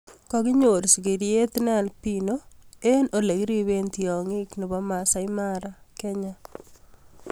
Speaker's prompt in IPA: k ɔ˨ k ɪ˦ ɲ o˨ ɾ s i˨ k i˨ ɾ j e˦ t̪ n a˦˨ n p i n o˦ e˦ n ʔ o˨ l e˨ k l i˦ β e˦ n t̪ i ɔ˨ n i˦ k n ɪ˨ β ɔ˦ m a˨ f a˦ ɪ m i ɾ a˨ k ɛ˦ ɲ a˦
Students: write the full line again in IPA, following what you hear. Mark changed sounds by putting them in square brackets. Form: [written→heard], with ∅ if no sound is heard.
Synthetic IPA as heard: k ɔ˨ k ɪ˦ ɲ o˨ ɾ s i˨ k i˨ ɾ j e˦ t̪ n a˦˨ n p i n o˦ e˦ n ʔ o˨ l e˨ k [l→ɾ] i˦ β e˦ n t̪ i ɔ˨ [n→ŋ] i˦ k n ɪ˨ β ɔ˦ m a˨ [f→s] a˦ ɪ m [i→a] ɾ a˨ k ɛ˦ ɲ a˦

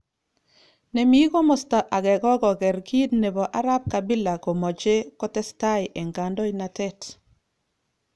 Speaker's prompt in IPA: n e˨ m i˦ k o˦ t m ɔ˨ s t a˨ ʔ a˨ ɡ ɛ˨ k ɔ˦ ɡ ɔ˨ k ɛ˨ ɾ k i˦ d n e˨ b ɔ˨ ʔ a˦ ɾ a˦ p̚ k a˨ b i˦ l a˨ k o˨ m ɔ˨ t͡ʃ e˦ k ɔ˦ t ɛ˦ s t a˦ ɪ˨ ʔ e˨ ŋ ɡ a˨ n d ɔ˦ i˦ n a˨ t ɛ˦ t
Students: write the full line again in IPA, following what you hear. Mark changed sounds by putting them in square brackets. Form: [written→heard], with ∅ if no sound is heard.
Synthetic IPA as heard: n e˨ m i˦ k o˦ [t→∅] m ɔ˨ s t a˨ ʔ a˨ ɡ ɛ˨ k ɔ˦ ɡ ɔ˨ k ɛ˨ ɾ k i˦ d n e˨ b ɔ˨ ʔ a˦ ɾ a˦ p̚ k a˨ b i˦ l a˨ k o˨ m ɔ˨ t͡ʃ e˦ k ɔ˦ t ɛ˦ s t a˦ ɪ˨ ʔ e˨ ŋ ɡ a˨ n d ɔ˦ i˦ n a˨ t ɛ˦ t

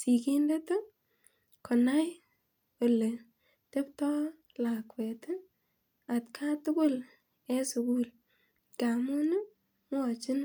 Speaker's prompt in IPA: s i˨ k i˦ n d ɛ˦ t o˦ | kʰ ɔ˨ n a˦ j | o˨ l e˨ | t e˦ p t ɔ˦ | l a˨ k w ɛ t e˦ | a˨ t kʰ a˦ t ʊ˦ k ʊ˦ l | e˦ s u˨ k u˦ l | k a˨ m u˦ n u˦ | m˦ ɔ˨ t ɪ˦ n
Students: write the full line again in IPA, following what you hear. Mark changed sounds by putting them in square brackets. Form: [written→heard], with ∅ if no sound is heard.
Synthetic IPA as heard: s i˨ k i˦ n d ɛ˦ t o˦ | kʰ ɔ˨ n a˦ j | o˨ l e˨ | t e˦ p t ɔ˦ | l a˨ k w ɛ t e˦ | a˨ t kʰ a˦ t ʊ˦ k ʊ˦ l | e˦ s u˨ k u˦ l | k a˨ m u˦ n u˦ | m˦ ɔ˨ [t→t͡ʃ] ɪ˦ n

